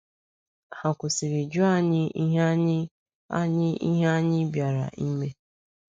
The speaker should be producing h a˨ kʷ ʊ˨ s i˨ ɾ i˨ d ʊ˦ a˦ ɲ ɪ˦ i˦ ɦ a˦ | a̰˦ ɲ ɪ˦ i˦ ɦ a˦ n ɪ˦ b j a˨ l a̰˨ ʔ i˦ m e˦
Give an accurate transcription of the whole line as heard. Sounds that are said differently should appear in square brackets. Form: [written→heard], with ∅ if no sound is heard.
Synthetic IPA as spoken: h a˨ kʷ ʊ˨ s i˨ ɾ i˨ [d→d͡ʒ] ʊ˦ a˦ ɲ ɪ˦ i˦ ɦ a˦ | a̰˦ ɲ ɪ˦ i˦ ɦ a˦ [n→ɲ] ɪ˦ b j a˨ [l→ɾ] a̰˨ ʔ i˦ m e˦